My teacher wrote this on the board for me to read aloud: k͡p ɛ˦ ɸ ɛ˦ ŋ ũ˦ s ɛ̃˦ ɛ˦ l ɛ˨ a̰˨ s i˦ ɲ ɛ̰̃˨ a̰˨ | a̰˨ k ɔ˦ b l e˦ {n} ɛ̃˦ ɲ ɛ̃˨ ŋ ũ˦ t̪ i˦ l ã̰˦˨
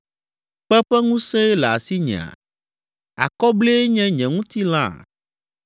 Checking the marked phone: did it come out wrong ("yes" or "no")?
yes